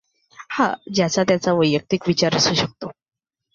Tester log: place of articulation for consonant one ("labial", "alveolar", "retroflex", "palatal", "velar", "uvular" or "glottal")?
glottal